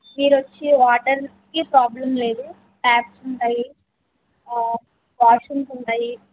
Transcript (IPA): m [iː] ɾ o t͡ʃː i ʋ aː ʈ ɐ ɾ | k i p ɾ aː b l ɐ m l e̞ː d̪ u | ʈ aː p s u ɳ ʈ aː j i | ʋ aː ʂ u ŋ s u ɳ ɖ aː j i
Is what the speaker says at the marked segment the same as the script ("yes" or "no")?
yes